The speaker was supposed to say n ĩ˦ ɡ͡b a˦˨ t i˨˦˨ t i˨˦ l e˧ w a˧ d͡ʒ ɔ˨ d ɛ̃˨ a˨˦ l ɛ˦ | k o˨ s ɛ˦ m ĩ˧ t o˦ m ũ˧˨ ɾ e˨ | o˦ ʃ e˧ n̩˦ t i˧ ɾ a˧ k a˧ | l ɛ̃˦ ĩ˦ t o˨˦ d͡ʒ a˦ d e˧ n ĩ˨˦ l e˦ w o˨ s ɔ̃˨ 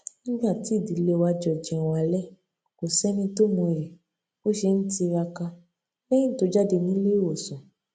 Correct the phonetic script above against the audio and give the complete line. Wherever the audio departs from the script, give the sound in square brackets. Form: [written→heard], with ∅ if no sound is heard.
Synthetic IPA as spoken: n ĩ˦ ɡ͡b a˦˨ t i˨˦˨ [t→d] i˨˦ l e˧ w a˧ d͡ʒ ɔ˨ [d→d͡ʒ] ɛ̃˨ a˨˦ l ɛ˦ | k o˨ s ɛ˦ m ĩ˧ t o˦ m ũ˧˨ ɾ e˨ | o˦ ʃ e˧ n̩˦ t i˧ ɾ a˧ k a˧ | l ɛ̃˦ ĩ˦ t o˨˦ d͡ʒ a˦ d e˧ n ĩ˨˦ l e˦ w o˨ s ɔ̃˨